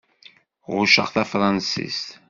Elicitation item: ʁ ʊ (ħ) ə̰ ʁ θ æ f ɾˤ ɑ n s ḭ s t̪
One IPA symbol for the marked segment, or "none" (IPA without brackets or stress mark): ʃ